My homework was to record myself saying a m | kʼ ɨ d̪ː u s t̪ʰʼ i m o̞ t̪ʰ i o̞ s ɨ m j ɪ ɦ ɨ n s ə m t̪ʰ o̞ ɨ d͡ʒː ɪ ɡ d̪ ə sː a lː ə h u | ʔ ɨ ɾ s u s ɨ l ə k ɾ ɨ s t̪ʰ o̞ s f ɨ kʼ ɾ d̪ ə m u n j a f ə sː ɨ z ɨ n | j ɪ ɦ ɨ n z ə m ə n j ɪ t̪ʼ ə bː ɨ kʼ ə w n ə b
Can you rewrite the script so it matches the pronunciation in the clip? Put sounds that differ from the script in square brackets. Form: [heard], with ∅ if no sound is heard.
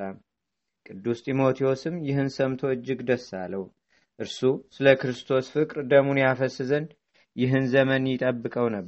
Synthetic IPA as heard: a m | kʼ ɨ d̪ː u s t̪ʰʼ i m o̞ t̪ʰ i o̞ s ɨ m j ɪ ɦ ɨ n s ə m t̪ʰ o̞ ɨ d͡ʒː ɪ ɡ d̪ ə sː a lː ə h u | ʔ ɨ ɾ s u s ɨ l ə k ɾ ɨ s t̪ʰ o̞ s f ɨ kʼ ɾ d̪ ə m u n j a f ə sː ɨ z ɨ n | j ɪ ɦ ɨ n z ə m ə n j ɪ t̪ʼ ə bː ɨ kʼ ə w n ə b